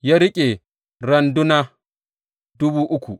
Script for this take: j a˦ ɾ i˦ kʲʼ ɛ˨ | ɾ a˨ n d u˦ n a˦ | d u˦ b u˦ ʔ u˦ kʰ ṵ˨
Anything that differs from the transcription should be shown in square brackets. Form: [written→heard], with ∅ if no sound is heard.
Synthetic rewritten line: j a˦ ɾ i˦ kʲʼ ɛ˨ | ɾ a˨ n d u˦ n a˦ | d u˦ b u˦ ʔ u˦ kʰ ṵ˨